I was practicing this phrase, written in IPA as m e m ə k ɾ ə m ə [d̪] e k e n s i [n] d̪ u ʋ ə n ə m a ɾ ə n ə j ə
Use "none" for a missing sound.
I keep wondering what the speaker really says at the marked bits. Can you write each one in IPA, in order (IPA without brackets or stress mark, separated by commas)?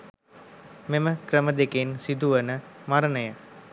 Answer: d̪, none